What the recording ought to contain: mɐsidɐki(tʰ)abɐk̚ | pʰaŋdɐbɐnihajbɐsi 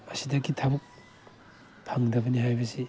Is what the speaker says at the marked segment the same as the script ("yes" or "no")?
yes